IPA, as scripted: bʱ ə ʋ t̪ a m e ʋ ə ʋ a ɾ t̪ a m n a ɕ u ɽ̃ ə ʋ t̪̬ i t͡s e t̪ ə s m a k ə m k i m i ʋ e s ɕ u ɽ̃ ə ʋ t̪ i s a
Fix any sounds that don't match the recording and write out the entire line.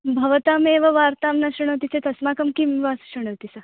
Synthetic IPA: bʱ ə ʋ t̪ a m e ʋ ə ʋ a ɾ t̪ a m n a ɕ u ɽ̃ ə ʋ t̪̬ i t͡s e t̪ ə s m a k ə m k i m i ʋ a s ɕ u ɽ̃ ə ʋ t̪ i s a